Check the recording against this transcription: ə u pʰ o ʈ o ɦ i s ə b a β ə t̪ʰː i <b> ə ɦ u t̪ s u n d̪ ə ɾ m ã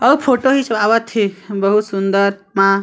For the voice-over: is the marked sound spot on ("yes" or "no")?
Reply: yes